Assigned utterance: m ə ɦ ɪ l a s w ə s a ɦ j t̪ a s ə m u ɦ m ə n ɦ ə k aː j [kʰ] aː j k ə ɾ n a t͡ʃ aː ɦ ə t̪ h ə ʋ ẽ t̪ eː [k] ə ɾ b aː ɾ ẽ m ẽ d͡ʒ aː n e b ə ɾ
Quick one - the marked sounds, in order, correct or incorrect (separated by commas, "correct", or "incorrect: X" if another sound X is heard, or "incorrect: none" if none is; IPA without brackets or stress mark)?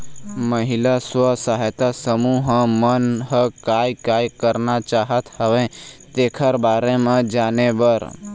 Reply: incorrect: k, incorrect: kʰ